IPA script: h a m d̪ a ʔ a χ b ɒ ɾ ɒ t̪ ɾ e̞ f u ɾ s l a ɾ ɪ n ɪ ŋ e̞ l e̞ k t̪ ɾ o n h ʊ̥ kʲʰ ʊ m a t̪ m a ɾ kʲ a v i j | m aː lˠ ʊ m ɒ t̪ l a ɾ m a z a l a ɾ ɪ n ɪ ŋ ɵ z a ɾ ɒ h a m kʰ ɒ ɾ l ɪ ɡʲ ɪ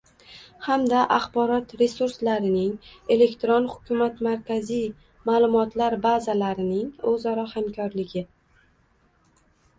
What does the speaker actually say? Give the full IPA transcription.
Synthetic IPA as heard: h a m d̪ a ʔ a χ b ɒ ɾ ɒ t̪ ɾ e̞ s u ɾ s l a ɾ ɪ n ɪ ŋ e̞ l e̞ k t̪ ɾ o n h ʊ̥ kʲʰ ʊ m a t̪ m a ɾ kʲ a z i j | m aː lˠ ʊ m ɒ t̪ l a ɾ b a z a l a ɾ ɪ n ɪ ŋ ɵ z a ɾ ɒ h a m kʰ ɒ ɾ l ɪ ɡʲ ɪ